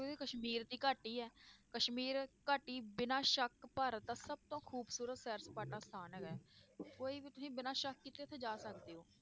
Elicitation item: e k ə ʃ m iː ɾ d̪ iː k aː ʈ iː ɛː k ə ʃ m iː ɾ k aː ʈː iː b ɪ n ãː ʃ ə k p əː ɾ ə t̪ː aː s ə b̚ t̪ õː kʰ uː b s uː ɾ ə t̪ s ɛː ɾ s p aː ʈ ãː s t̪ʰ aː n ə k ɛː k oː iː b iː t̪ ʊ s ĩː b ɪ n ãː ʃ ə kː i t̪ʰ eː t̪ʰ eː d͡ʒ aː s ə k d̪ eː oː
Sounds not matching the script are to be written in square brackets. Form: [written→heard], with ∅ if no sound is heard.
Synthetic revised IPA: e k ə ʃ m iː ɾ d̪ iː k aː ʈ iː ɛː k ə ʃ m iː ɾ k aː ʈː iː b ɪ n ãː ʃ ə k p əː ɾ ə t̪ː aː s ə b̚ t̪ õː kʰ uː b s uː ɾ ə t̪ s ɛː ɾ s p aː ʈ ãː s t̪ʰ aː n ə k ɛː k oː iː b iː t̪ ʊ s ĩː b ɪ n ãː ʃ ə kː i [t̪ʰ→t̪] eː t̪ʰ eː d͡ʒ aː s ə k d̪ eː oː